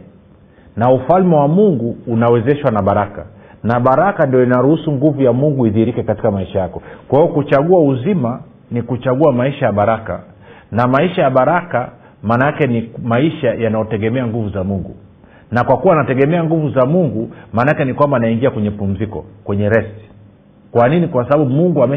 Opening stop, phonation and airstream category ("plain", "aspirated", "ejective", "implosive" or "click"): plain